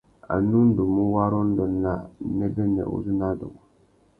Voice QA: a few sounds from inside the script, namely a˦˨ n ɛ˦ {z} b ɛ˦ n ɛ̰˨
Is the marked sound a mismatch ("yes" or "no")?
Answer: yes